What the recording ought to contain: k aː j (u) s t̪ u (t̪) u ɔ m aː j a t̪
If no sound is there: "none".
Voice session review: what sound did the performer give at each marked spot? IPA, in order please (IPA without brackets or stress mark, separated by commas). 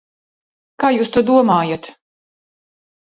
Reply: uː, d̪